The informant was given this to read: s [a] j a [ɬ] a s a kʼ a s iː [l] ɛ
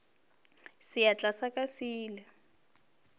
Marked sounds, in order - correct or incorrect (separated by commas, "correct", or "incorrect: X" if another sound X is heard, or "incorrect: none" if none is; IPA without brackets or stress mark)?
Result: incorrect: i, incorrect: t͡ɬ, correct